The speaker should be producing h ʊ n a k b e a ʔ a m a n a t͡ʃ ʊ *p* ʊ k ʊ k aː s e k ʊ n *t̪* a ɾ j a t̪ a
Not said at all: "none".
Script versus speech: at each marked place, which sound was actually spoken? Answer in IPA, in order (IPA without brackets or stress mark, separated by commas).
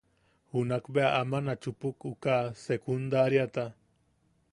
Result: p, d̪